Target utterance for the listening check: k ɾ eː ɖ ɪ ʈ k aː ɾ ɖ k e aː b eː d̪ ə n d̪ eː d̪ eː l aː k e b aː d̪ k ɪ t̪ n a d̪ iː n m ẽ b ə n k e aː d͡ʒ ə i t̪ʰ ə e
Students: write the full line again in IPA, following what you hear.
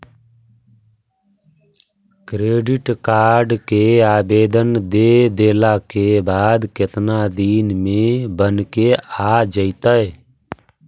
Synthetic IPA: k ɾ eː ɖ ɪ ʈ k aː ɾ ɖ k e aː b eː d̪ ə n d̪ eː d̪ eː l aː k e b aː d̪ k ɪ t̪ n a d̪ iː n m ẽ b ə n k e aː d͡ʒ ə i t̪ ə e